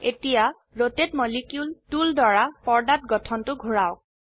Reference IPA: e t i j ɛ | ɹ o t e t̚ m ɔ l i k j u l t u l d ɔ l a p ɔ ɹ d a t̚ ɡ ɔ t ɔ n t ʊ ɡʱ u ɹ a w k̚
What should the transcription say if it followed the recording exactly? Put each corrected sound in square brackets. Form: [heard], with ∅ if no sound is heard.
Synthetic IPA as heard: e t i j [a] | ɹ o t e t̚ m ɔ l i k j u l t u l d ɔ [ɹ] a p ɔ ɹ d a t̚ ɡ ɔ [tʰ] ɔ n t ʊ ɡʱ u ɹ a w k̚